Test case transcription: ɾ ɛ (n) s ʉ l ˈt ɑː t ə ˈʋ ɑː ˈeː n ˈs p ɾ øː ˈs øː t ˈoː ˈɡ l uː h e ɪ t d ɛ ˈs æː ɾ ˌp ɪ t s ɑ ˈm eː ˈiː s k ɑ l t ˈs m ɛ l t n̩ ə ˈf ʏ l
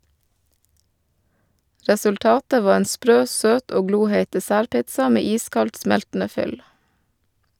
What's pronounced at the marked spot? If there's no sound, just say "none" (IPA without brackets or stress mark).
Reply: none